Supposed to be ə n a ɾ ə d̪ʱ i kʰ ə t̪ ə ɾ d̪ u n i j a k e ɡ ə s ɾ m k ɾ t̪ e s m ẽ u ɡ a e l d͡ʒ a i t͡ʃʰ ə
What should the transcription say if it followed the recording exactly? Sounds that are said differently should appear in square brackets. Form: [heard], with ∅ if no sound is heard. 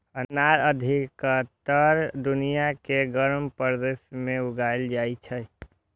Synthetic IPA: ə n a ɾ ə d̪ʱ i [k] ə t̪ ə ɾ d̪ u n i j a k e ɡ ə [∅] ɾ m [p] ɾ [d̪] e s m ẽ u ɡ a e l d͡ʒ a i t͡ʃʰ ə